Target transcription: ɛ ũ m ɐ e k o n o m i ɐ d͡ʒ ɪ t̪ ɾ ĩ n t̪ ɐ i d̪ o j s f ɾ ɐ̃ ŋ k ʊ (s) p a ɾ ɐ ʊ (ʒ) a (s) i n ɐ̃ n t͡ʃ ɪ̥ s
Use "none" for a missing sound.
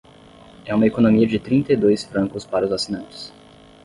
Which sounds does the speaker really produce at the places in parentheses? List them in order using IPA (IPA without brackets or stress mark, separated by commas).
s, z, s